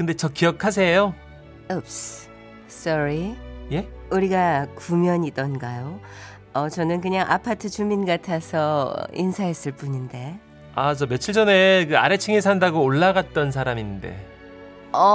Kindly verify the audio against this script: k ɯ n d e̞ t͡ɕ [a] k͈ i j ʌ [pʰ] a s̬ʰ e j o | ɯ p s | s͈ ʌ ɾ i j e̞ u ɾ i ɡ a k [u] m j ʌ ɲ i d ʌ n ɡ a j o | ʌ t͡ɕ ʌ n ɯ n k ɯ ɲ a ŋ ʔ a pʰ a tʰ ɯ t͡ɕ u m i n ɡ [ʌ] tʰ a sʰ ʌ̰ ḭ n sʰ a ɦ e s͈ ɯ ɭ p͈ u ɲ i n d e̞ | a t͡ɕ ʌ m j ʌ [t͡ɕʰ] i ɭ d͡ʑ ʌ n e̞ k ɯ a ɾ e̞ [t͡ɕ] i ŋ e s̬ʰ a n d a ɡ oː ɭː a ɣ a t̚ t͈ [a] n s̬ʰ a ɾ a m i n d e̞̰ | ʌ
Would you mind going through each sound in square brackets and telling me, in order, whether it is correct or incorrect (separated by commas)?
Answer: incorrect, incorrect, correct, incorrect, correct, incorrect, incorrect